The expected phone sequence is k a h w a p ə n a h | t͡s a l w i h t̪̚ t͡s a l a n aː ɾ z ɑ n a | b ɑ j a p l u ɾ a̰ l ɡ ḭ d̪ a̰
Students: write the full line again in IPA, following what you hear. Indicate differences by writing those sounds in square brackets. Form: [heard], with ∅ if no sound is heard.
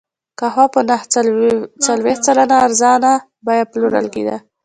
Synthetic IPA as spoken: k a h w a p ə n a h | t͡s a l w [e] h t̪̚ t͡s a l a n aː ɾ z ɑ n a | b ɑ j a p l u ɾ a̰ l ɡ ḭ d̪ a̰